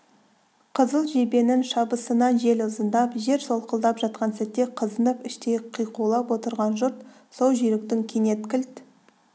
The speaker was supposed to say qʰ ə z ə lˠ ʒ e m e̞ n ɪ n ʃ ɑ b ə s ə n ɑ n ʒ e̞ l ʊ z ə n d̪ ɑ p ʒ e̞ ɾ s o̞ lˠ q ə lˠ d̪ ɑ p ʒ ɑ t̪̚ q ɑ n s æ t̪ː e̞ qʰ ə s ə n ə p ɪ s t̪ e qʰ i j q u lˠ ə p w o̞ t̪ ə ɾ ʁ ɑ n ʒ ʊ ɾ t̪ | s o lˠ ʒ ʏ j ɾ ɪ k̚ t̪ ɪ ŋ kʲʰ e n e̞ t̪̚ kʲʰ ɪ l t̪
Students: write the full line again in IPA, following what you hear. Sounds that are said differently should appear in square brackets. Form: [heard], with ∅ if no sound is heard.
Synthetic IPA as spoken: qʰ ə z ə lˠ ʒ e [b] e̞ n ɪ n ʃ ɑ b ə s ə n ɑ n ʒ e̞ l ʊ z ə n d̪ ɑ p ʒ e̞ ɾ s o̞ lˠ q ə lˠ d̪ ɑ p ʒ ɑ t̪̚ q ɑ n s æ t̪ː e̞ qʰ ə [z] ə n ə p ɪ [ʃ] t̪ e qʰ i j q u lˠ [ɑ] p w o̞ t̪ ə ɾ ʁ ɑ n ʒ ʊ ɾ t̪ | s o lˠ ʒ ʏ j ɾ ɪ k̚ t̪ ɪ ŋ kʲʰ e n e̞ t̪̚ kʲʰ ɪ l t̪